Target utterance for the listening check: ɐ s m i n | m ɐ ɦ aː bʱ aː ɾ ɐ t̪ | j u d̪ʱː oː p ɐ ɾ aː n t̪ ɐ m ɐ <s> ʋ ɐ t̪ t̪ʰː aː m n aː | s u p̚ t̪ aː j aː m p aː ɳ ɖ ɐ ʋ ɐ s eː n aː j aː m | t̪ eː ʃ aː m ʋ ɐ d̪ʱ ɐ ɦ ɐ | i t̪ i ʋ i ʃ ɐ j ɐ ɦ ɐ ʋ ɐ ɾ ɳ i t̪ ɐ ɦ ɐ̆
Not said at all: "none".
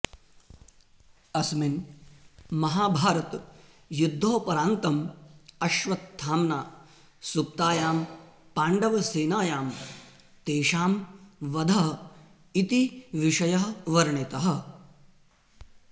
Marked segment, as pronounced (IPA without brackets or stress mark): ʃ